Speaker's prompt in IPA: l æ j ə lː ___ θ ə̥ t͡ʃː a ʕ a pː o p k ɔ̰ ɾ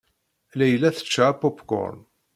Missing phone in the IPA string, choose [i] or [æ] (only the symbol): æ